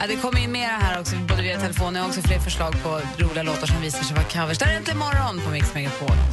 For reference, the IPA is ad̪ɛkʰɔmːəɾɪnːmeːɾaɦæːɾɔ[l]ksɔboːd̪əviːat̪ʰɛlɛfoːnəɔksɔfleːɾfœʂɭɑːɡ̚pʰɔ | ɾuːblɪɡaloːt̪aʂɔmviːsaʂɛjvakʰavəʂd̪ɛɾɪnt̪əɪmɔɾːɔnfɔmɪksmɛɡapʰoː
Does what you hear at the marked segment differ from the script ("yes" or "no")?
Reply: yes